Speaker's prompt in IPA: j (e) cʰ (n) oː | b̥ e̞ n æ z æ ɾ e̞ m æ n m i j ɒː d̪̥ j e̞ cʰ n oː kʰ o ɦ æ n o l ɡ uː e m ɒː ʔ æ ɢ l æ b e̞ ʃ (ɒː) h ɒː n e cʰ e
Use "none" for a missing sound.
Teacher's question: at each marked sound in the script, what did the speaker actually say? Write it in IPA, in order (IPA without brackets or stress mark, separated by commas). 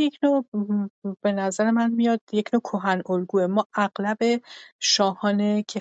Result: e, n, ɒː